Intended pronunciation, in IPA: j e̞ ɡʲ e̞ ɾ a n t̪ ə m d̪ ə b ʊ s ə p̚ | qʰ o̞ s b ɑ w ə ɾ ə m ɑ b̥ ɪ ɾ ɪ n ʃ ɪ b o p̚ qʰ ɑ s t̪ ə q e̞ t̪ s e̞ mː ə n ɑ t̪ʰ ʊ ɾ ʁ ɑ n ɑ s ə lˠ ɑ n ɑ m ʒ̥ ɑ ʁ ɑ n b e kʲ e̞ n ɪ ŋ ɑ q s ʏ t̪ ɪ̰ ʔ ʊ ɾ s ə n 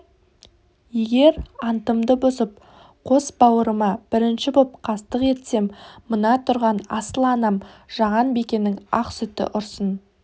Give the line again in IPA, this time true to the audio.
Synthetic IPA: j e̞ ɡʲ e̞ ɾ ɑ n t̪ ə m d̪ ə b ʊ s ə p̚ | qʰ o̞ s b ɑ w ə ɾ ə m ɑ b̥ ɪ ɾ ɪ n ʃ ɪ b o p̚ qʰ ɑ s t̪ ə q e̞ t̪ s e̞ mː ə n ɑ t̪ʰ ʊ ɾ ʁ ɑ n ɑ s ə lˠ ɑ n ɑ m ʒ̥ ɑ ʁ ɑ n b e kʲ e̞ n ɪ ŋ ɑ q s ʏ t̪ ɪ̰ ʔ ʊ ɾ s ə n

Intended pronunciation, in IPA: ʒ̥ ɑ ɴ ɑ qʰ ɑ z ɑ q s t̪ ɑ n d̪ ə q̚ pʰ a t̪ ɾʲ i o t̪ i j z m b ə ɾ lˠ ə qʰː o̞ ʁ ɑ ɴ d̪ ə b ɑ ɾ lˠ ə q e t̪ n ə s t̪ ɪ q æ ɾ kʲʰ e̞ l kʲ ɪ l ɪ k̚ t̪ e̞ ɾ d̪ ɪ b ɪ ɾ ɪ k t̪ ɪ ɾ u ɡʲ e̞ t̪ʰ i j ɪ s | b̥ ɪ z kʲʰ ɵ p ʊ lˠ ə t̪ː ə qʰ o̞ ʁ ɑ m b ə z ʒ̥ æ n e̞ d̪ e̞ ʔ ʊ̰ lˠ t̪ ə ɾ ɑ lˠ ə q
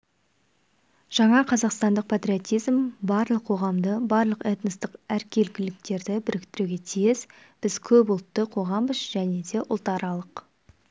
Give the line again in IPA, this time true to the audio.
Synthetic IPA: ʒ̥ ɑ ɴ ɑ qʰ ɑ z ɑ q s t̪ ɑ n d̪ ə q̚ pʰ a t̪ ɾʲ i o t̪ i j z m b ɑ ɾ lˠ ə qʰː o̞ ʁ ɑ m d̪ ə b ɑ ɾ lˠ ə q e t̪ n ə s t̪ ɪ q æ ɾ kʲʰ e̞ l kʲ ɪ l ɪ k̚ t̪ e̞ ɾ d̪ ɪ b ɪ ɾ ɪ k t̪ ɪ ɾ u ɡʲ e̞ t̪ʰ i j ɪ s | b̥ ɪ z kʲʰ ɵ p ʊ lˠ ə t̪ː ə qʰ o̞ ʁ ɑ m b ə z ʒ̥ æ n e̞ d̪ e̞ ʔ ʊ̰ lˠ t̪ ɑ ɾ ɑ lˠ ə q

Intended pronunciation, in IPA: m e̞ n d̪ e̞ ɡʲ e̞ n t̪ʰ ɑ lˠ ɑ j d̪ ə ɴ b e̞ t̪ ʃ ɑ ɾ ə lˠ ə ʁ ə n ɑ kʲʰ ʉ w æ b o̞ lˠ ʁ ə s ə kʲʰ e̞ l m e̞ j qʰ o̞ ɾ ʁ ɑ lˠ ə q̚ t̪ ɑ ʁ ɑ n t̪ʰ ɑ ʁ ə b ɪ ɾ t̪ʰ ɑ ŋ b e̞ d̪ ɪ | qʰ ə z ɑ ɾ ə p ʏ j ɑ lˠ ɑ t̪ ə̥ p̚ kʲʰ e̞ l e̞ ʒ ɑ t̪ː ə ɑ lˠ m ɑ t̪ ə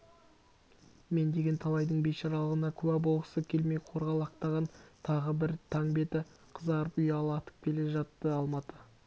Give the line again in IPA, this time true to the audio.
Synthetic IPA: m e̞ n d̪ e̞ ɡʲ e̞ n t̪ʰ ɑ lˠ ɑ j d̪ ə ɴ b e̞ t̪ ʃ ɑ ɾ ɑ lˠ ə ʁ ə n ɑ kʲʰ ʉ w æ b o̞ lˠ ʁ ə s ə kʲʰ e̞ l m e̞ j qʰ o̞ ɾ ʁ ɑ lˠ ɑ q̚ t̪ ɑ ʁ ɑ n t̪ʰ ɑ ʁ ə b ɪ ɾ t̪ʰ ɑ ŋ b e̞ t̪ ɪ | qʰ ə z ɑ ɾ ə p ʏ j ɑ lˠ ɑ t̪ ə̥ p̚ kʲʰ e̞ l e̞ ʒ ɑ t̪ː ə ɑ lˠ m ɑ t̪ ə

